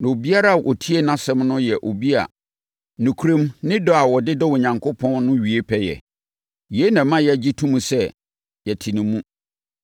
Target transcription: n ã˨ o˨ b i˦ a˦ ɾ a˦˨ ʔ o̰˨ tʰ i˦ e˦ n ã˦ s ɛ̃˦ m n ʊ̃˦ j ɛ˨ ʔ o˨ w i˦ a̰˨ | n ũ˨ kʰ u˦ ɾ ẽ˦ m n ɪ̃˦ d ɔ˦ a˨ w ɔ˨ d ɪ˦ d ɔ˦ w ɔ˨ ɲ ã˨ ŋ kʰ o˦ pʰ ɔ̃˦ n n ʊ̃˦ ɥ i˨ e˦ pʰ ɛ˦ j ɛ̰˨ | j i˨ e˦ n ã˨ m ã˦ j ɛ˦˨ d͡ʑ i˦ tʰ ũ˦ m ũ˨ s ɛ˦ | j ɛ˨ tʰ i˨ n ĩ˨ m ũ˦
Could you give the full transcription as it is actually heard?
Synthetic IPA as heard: n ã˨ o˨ b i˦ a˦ ɾ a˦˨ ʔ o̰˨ tʰ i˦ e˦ n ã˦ s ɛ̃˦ m n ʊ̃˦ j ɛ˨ ʔ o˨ b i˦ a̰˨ | n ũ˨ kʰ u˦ ɾ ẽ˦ m n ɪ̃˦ d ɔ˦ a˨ w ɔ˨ d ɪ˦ d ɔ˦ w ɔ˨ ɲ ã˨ ŋ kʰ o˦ pʰ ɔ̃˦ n n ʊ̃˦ ɥ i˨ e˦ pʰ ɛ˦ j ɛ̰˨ | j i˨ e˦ n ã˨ m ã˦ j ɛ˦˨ d͡ʑ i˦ tʰ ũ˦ m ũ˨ s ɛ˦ | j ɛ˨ tʰ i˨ n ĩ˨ m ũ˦